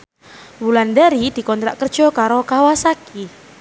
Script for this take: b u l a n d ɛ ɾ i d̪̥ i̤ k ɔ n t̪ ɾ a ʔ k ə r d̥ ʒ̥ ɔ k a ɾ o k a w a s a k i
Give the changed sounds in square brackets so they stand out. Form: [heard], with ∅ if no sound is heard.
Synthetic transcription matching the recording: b u l a n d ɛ ɾ i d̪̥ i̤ k ɔ n t̪ ɾ a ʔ k ə r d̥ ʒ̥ ɔ k a ɾ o k a w a s a k i